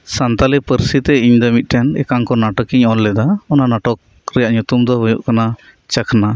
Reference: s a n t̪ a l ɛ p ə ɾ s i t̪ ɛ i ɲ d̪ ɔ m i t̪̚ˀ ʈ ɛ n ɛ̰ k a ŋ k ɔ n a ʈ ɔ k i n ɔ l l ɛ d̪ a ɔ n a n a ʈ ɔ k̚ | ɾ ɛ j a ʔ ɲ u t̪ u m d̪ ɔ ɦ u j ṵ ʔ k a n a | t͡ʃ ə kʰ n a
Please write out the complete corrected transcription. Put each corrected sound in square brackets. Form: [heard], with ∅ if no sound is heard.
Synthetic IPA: s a n t̪ a l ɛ p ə ɾ s i t̪ ɛ i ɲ d̪ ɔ m i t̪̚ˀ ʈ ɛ n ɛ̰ k a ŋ k ɔ n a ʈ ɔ k i [ɲ] ɔ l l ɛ d̪ a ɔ n a n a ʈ ɔ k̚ | ɾ ɛ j a ʔ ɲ u t̪ u m d̪ ɔ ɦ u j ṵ ʔ k a n a | t͡ʃ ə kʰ n a